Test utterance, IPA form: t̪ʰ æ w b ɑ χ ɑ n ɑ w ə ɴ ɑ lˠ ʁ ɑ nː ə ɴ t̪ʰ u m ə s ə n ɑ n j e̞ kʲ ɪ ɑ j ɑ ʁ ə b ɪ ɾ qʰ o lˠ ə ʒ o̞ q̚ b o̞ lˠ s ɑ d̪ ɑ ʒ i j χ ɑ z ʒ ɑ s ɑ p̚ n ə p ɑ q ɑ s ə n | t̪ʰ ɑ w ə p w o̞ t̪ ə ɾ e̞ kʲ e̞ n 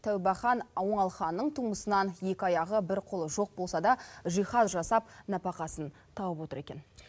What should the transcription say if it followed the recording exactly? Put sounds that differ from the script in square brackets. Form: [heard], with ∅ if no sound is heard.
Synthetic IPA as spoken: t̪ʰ æ w b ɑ χ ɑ n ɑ w ə ɴ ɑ lˠ [χ] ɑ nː ə ɴ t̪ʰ u m ə s ə n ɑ n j e̞ kʲ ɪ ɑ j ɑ ʁ ə b ɪ ɾ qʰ o lˠ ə ʒ o̞ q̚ b o̞ lˠ s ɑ d̪ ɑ ʒ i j χ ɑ z ʒ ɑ s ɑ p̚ n [ɑ] p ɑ q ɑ s ə n | t̪ʰ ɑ w ə p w o̞ t̪ ə ɾ e̞ kʲ e̞ n